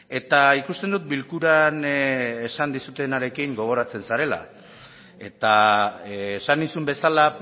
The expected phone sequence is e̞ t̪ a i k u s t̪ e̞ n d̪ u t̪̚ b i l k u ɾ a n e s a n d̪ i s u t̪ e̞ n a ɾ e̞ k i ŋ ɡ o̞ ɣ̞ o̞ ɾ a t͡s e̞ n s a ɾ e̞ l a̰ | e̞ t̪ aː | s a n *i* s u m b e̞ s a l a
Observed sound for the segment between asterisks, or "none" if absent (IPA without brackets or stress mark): i